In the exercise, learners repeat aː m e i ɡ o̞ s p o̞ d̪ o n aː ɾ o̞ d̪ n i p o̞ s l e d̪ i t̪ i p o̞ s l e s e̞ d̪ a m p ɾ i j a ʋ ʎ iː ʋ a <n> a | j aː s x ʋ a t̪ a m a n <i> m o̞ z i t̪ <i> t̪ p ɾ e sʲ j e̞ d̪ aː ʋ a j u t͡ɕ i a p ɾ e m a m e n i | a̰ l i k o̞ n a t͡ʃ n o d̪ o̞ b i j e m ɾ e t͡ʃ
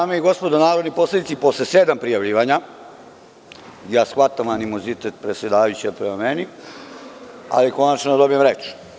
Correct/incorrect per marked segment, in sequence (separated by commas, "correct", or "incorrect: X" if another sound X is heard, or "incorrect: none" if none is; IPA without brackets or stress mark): incorrect: ɲ, correct, incorrect: e